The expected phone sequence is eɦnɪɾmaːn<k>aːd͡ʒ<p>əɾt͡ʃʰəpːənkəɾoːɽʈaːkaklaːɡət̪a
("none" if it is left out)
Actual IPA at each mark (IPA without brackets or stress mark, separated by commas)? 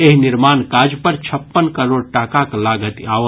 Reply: k, p